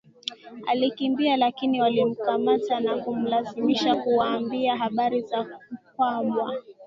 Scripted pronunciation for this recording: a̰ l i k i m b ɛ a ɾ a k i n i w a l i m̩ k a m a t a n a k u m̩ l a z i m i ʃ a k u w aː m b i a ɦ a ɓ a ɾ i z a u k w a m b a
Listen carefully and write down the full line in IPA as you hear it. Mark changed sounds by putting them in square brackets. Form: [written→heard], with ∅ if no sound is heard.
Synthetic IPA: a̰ l i k i m b [ɛ→i] a [ɾ→l] a k i n i w a l i m̩ k a m a t a n a k u m̩ l a z i m i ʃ a k u w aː m b i a ɦ a ɓ a ɾ i z a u k w a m [b→w] a